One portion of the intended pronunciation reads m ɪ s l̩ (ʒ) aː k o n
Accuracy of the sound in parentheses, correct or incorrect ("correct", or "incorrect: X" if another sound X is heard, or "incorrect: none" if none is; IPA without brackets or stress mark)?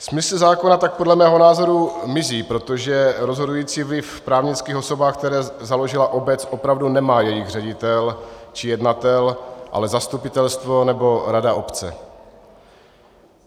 incorrect: z